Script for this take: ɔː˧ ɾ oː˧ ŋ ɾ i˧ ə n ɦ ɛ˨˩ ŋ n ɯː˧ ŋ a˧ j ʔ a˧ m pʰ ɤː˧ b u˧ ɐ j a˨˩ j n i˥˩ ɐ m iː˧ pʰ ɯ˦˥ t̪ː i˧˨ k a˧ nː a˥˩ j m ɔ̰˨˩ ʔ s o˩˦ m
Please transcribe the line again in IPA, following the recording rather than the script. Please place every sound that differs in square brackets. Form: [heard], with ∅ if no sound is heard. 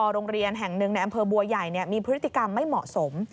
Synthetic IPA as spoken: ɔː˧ ɾ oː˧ ŋ ɾ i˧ ə n ɦ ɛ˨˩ ŋ n [ɯ˧] ŋ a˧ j ʔ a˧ m pʰ ɤː˧ b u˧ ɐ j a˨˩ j n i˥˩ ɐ m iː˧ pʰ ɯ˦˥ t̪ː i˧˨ k a˧ [mː] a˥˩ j m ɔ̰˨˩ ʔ s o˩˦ m